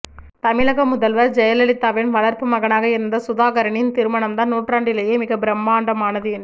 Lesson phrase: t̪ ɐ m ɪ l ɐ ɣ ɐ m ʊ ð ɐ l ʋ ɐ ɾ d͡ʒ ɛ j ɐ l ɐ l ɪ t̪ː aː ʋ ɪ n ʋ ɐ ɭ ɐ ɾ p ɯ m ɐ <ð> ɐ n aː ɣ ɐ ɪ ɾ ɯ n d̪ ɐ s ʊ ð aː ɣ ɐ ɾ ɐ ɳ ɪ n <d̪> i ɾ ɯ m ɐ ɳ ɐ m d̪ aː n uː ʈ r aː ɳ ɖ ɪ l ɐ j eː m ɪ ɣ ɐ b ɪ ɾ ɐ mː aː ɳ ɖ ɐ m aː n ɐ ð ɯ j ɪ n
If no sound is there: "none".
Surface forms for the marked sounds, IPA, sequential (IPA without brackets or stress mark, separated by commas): ɣ, t̪